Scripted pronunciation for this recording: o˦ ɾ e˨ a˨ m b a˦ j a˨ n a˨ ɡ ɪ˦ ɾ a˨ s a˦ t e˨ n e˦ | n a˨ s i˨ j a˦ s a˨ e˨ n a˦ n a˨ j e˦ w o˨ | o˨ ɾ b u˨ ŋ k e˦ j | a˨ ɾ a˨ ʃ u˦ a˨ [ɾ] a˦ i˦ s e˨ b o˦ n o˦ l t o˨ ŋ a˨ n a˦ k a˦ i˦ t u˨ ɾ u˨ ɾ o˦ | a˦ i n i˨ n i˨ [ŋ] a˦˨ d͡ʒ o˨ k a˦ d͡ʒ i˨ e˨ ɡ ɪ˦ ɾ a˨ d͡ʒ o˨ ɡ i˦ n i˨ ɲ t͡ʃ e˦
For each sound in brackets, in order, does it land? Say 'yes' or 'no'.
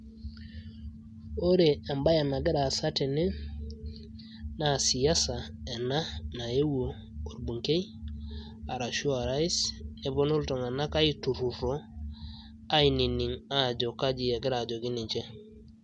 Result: yes, yes

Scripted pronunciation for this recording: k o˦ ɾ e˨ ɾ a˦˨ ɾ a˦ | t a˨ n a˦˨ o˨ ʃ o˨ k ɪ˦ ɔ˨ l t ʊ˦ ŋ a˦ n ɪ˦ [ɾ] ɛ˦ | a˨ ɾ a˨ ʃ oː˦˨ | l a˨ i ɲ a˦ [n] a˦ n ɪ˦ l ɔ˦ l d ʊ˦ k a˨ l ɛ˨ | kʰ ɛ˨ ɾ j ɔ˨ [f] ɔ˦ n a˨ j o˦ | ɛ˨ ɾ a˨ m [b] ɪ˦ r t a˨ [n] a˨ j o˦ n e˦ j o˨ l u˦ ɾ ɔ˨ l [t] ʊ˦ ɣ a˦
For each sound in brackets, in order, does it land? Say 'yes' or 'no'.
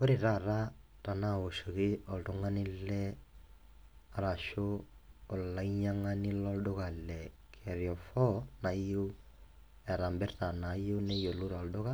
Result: no, no, yes, yes, yes, no

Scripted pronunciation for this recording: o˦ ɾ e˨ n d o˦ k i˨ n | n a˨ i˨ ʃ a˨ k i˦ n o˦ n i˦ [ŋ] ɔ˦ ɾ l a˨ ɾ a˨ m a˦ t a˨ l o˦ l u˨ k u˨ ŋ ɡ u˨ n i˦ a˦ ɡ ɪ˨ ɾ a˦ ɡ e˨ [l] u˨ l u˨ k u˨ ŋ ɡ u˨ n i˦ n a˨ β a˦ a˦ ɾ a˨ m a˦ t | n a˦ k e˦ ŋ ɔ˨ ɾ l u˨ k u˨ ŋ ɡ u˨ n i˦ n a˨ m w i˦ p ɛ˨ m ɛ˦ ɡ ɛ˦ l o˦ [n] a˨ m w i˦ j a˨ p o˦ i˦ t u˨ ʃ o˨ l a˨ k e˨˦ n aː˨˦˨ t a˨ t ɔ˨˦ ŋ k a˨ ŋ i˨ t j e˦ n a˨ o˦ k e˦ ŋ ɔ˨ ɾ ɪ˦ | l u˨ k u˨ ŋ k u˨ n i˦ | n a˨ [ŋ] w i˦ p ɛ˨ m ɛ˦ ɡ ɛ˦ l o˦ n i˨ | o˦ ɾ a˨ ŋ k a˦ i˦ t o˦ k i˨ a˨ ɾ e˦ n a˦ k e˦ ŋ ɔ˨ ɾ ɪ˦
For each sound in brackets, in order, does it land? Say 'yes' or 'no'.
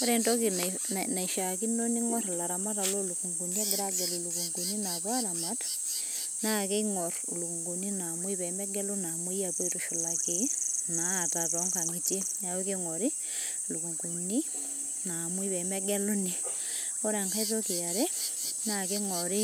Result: yes, yes, yes, no

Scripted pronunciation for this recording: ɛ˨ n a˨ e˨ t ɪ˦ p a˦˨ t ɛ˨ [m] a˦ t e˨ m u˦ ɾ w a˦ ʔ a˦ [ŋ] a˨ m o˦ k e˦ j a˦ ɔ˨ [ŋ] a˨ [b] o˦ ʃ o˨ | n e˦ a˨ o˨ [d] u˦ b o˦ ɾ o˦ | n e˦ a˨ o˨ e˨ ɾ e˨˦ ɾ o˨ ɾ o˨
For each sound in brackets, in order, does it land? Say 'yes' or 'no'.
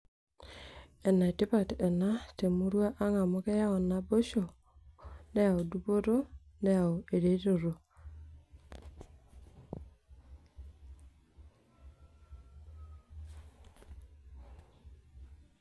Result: no, yes, no, yes, yes

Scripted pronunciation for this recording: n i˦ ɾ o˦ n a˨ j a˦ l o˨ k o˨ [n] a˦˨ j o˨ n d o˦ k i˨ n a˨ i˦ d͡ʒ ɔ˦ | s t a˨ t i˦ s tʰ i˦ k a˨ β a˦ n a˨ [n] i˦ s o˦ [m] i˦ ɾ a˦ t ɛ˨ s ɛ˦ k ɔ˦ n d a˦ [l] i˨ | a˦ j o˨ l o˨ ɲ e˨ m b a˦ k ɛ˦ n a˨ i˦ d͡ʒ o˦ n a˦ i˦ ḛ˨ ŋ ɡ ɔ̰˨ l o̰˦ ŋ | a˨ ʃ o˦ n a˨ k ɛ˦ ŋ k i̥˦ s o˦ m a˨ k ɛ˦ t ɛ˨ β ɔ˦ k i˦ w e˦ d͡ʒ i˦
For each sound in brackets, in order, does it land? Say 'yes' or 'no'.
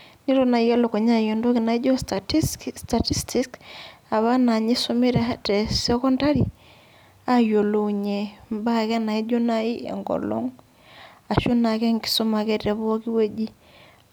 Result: no, no, yes, no

